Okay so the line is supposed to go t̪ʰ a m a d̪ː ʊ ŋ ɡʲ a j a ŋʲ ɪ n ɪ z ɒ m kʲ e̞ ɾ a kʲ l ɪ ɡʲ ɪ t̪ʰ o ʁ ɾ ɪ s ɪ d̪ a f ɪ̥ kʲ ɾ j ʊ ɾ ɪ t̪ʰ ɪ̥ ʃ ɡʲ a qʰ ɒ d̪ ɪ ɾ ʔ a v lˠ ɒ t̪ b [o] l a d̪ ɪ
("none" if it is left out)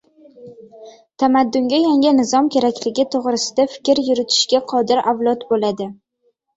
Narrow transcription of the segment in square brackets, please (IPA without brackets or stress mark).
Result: o